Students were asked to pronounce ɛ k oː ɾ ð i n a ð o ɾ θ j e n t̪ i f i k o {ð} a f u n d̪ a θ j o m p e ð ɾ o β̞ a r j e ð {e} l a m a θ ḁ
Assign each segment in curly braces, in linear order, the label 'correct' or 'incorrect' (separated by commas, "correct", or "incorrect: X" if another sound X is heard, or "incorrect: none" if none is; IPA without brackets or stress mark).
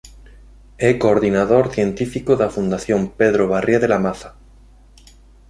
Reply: correct, correct